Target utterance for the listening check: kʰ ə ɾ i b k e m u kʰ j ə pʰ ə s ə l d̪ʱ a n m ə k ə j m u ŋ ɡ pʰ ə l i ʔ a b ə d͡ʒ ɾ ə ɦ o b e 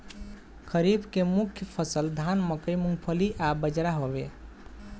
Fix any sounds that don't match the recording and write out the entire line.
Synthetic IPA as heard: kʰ ə ɾ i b k e m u kʰ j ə pʰ ə s ə l d̪ʱ a n m ə k ə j m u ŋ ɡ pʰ ə l i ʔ a b ə d͡ʒ ɾ a ɦ o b e